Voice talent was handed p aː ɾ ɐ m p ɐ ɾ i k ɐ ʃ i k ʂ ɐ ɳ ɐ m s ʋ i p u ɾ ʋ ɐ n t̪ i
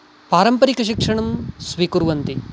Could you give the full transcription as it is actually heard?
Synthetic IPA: p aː ɾ ɐ m p ɐ ɾ i k ɐ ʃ i k ʂ ɐ ɳ ɐ m s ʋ i k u ɾ ʋ ɐ n t̪ i